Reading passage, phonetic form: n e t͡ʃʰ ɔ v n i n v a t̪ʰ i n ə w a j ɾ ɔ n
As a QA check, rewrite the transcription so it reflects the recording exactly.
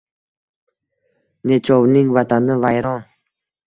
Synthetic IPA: n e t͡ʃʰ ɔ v n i ŋ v a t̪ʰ a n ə v a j ɾ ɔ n